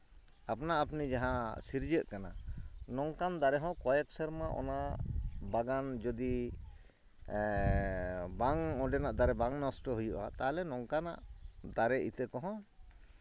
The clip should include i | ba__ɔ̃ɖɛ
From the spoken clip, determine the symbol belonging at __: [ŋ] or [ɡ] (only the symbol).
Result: ŋ